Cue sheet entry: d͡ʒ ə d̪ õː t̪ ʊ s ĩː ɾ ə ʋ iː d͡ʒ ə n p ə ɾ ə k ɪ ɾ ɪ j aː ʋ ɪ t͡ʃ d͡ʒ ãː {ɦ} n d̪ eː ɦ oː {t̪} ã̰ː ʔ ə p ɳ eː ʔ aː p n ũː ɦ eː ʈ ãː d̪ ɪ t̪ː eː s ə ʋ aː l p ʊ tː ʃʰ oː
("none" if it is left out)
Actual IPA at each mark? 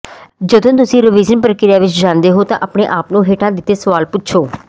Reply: none, t̪

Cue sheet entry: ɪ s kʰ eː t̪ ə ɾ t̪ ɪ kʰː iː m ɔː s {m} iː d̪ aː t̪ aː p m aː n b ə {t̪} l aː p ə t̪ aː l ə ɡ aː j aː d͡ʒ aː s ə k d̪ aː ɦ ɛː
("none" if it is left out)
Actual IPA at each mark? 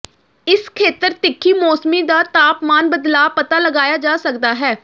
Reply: m, d̪

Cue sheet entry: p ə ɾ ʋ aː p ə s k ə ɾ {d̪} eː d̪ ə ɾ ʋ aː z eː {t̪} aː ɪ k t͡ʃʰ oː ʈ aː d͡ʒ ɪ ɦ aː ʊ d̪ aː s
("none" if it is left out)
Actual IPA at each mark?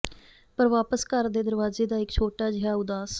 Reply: d̪, d̪

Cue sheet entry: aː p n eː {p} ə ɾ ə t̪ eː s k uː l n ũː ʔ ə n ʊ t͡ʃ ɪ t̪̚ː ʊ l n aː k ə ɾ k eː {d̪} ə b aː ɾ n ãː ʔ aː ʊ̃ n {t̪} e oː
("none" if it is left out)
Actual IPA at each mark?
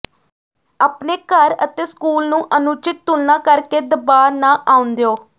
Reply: k, d̪, d̪

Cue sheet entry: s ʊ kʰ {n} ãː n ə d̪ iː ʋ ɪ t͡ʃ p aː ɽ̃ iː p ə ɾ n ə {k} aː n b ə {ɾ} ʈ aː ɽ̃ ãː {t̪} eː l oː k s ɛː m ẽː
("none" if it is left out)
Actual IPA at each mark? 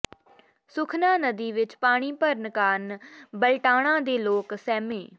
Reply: n, k, l, d̪

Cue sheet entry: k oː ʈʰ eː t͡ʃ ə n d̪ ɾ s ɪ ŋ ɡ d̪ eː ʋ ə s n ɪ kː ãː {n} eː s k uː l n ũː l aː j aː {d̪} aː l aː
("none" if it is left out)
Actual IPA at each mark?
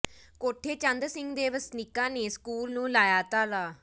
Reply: n, t̪

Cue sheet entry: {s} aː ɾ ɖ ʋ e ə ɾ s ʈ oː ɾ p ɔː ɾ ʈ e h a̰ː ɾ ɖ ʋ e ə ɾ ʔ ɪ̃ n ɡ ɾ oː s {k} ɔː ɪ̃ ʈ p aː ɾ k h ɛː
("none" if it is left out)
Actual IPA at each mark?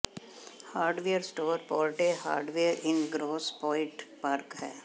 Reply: h, p

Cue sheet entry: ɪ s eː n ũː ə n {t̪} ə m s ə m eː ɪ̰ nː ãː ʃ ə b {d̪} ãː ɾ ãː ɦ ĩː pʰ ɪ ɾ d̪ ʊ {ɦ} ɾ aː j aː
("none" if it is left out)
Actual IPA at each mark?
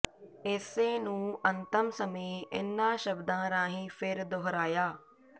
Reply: t̪, d̪, ɦ

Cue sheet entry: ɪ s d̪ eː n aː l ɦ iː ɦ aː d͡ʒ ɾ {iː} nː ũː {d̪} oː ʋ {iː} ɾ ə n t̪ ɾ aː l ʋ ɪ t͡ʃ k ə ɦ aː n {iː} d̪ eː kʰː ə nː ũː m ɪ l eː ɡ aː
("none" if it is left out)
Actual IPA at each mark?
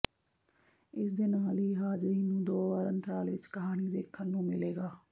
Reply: iː, d̪, aː, iː

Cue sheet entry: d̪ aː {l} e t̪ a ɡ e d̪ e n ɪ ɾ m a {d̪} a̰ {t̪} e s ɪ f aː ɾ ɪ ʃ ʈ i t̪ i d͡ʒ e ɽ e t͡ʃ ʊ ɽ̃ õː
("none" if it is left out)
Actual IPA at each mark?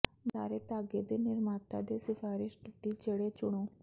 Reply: ɾ, t̪, d̪

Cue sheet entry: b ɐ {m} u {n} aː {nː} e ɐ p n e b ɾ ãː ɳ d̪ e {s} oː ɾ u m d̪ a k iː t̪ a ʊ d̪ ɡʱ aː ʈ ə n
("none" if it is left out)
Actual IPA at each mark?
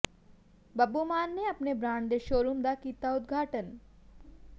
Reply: b, m, nː, ʃ

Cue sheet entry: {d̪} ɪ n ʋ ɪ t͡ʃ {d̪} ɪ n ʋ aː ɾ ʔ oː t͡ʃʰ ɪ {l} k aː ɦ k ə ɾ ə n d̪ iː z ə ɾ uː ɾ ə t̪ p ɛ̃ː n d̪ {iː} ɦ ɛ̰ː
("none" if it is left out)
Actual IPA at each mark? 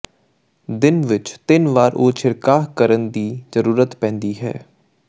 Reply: d̪, t̪, ɾ, iː

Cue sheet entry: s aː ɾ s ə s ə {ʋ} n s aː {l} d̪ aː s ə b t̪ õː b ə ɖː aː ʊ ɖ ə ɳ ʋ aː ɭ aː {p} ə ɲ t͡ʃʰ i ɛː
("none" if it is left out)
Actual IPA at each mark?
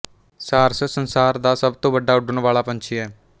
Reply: none, ɾ, p

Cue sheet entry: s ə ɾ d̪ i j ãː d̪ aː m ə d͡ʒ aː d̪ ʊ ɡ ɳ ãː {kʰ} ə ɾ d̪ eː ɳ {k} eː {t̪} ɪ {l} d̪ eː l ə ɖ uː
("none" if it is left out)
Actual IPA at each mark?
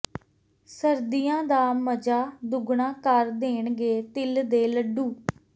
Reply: k, ɡ, t̪, l

